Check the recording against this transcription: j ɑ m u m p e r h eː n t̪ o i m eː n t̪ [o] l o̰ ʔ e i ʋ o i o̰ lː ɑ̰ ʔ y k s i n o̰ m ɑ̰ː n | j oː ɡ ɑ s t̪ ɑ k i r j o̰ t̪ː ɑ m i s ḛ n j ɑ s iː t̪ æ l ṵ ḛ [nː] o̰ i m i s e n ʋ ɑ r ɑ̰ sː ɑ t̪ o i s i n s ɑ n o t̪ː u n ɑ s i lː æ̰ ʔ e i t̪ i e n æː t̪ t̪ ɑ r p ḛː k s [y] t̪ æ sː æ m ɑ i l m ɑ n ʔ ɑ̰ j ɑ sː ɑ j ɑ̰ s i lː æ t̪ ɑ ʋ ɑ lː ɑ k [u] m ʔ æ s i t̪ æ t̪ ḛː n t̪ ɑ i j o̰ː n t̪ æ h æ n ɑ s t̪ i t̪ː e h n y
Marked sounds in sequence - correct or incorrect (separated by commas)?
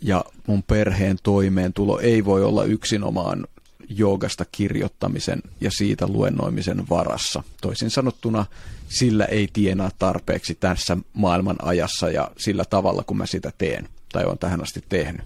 incorrect, correct, incorrect, correct